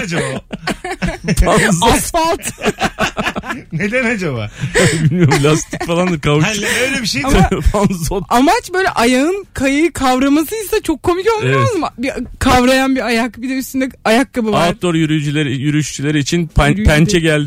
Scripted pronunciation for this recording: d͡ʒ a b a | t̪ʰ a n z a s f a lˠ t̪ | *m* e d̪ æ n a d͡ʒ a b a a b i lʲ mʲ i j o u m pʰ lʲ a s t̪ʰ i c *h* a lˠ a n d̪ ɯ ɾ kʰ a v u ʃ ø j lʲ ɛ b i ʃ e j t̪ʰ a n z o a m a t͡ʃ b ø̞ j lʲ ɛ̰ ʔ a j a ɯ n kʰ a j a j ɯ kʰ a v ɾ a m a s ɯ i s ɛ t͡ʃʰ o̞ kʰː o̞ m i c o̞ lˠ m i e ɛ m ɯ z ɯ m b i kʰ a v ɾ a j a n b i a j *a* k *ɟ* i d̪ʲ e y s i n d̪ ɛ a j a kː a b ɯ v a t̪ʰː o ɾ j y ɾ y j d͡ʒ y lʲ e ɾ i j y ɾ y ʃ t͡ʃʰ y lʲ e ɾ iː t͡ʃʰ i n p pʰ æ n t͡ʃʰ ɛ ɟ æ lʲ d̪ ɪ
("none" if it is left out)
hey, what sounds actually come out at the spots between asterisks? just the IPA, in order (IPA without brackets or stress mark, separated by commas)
n, f, a, b